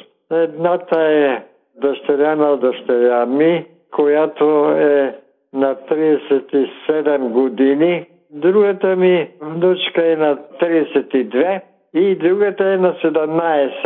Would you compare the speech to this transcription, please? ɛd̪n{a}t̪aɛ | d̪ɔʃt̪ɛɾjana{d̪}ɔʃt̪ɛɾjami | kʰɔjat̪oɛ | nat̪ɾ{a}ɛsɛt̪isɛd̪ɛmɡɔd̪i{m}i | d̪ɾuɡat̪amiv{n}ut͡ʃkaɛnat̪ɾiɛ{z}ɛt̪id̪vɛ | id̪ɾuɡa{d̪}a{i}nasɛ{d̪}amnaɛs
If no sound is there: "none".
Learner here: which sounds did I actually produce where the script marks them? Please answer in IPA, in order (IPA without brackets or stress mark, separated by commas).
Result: a, d̪, i, n, n, s, t̪, ɛ, d̪